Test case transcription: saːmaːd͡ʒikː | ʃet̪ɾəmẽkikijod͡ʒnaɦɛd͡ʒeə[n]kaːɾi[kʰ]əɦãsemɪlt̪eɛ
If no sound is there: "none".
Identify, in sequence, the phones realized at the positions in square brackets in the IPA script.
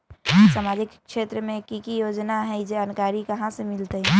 n, k

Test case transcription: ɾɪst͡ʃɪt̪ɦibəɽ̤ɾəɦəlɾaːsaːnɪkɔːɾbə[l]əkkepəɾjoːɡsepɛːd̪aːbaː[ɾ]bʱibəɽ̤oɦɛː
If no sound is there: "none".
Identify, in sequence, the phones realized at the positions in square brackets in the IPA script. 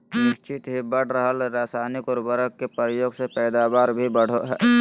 ɾ, ɾ

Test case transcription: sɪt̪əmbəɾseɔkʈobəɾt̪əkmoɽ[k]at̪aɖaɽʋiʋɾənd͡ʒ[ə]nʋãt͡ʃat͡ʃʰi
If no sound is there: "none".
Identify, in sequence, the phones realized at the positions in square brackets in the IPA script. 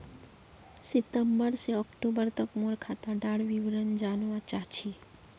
kʰ, a

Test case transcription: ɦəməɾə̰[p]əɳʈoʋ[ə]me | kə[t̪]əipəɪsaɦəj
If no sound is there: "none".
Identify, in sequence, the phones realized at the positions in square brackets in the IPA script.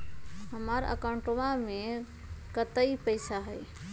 k, a, t̪

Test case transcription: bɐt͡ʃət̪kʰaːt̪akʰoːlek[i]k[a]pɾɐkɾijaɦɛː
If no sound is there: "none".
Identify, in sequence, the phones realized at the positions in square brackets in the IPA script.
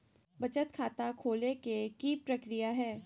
e, i

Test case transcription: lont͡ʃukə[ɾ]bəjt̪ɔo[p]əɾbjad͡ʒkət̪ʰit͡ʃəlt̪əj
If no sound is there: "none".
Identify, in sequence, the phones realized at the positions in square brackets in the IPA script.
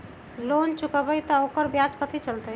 none, k

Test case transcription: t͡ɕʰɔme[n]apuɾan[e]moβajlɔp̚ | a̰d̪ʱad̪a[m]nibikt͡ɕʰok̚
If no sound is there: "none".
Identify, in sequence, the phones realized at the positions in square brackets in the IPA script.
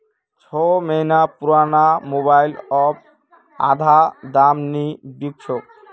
n, a, m

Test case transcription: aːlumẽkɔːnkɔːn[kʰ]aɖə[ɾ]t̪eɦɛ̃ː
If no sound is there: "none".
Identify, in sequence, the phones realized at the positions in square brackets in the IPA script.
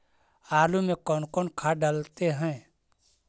kʰ, l

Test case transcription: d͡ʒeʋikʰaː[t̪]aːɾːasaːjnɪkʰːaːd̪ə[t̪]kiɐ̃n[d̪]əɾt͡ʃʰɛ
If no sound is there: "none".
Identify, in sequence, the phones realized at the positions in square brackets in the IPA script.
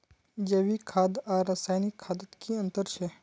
d̪, t̪, t̪

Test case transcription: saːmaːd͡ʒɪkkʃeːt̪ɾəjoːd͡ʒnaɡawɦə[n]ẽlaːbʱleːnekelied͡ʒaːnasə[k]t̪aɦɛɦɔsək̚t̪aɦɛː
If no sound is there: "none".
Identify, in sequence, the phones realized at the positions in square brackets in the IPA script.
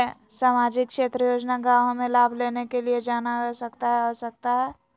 m, k

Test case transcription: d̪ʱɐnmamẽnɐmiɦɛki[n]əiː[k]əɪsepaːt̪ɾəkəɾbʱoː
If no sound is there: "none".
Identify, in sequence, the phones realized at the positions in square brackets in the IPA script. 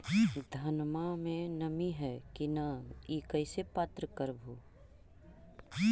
n, k

